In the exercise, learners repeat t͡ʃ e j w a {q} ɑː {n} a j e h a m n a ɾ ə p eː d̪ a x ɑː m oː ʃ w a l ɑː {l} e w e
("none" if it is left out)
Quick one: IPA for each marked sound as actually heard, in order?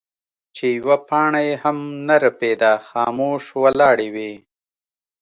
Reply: p, ɳ, ɽ

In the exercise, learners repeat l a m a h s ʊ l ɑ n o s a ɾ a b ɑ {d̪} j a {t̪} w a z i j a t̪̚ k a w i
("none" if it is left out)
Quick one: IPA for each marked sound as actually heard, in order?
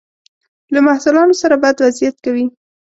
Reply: none, d̪

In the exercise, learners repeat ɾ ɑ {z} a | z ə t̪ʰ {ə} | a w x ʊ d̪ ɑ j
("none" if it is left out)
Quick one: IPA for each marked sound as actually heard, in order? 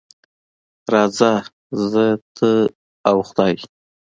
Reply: z, ə

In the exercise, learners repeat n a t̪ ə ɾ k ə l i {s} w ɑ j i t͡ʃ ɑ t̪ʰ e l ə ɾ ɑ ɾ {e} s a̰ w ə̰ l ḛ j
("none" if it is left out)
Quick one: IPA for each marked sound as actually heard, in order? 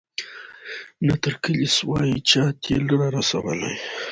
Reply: s, a

